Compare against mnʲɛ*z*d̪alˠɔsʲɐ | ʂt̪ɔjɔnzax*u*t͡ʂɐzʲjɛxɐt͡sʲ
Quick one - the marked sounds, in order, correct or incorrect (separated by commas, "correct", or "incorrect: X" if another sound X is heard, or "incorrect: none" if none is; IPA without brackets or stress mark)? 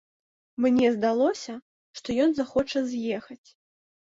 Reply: correct, incorrect: ɔ